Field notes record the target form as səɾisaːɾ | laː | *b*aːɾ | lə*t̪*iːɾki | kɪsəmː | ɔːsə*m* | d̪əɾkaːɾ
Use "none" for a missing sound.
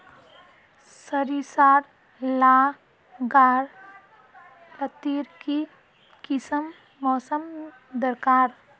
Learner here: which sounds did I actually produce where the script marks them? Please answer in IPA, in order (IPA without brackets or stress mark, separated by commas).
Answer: ɡ, t̪, m